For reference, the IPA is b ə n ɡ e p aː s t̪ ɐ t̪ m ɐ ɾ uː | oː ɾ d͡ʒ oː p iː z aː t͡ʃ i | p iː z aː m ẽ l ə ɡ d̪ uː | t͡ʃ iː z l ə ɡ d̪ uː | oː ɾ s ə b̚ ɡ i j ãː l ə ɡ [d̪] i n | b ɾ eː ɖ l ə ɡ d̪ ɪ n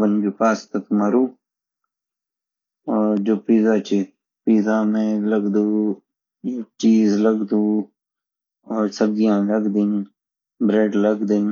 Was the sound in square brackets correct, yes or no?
yes